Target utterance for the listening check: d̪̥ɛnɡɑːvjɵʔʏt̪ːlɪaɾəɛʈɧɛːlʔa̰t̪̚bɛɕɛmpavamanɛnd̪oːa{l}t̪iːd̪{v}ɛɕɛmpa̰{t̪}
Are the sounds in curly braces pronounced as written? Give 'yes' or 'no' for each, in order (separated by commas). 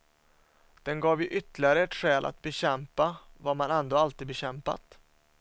yes, no, yes